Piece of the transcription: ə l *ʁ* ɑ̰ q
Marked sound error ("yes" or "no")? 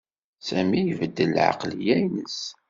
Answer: yes